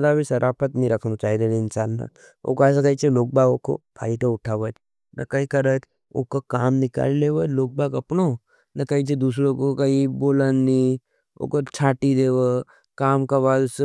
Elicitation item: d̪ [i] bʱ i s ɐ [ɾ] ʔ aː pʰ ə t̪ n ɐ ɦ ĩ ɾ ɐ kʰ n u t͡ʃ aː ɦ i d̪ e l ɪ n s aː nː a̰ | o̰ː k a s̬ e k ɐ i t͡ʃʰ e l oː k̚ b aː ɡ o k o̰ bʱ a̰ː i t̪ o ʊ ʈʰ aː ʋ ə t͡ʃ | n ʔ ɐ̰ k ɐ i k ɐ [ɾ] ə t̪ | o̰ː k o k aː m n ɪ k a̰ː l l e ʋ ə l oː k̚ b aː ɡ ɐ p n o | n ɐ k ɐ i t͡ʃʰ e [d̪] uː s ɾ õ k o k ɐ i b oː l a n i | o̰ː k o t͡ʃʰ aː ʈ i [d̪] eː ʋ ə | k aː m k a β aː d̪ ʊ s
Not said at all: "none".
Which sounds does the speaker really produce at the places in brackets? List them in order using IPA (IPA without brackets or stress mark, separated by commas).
a, ɾ, ɾ, d̪, d̪